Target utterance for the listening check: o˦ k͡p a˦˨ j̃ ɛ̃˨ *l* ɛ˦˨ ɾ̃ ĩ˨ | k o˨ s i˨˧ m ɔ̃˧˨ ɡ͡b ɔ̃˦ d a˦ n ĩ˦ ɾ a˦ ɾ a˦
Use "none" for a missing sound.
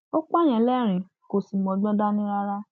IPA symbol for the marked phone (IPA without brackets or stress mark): l